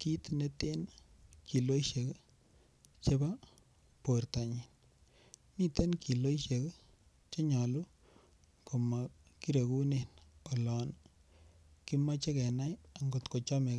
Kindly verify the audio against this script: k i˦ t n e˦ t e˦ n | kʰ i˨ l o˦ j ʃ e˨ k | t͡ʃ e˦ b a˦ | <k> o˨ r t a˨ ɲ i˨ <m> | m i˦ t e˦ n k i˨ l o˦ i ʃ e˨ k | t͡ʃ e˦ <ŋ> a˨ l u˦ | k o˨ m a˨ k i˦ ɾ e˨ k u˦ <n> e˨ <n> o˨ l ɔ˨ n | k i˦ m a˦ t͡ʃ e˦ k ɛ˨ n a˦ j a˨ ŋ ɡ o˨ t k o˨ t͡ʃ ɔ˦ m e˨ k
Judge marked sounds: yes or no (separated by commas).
no, no, no, yes, yes